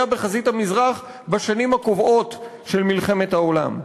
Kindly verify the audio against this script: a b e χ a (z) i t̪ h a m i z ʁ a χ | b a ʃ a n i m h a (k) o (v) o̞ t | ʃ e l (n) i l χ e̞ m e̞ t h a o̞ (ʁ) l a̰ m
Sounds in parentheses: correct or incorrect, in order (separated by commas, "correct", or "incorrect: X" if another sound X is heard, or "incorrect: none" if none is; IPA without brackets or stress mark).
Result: correct, correct, correct, incorrect: m, incorrect: none